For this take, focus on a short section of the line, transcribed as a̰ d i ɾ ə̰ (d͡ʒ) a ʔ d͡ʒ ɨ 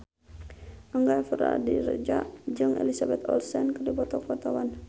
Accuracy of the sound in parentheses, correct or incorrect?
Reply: correct